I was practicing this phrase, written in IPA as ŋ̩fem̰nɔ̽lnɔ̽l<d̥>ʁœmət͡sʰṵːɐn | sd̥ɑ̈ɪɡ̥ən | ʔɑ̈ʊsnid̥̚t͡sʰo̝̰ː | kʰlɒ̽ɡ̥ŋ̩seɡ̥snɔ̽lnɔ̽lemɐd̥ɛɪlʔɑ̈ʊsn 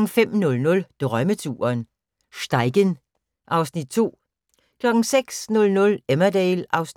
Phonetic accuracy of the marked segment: correct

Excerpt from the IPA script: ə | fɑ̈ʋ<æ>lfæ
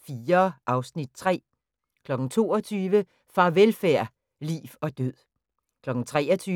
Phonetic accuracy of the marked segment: incorrect: e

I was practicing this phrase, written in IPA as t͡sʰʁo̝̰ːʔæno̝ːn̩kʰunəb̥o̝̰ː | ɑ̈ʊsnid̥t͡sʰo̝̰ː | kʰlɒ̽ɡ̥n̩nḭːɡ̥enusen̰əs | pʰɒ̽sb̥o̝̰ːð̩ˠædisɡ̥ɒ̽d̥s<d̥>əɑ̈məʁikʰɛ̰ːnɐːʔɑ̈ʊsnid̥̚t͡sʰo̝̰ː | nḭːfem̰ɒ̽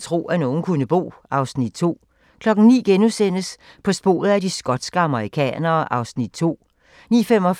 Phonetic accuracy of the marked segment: incorrect: ɡ̥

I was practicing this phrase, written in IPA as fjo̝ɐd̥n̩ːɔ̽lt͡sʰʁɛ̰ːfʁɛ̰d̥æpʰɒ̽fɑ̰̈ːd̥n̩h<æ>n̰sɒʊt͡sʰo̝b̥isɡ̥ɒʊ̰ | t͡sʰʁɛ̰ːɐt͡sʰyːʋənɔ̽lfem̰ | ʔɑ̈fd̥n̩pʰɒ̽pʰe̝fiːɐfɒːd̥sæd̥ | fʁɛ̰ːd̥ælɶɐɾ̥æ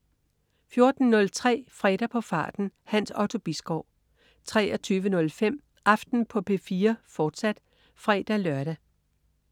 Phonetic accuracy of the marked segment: correct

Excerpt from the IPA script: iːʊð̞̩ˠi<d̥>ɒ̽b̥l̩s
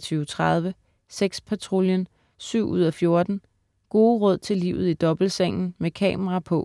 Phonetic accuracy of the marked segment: correct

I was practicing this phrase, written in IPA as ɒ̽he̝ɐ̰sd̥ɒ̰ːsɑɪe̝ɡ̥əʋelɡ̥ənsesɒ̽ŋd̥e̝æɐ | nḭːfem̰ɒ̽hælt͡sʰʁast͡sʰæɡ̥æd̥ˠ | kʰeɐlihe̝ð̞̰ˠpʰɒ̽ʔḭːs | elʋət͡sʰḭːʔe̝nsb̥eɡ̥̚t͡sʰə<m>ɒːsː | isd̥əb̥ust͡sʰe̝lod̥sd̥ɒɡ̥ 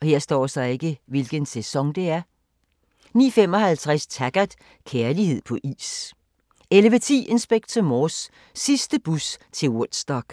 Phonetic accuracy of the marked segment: correct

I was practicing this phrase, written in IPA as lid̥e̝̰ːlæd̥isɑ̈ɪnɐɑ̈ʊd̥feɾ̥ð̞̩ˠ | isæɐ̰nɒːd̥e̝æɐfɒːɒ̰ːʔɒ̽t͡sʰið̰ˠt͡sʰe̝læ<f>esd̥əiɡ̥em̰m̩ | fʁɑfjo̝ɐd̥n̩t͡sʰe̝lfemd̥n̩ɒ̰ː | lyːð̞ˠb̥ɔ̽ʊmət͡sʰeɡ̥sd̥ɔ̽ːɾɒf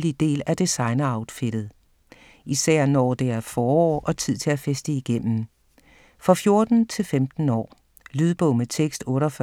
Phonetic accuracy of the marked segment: correct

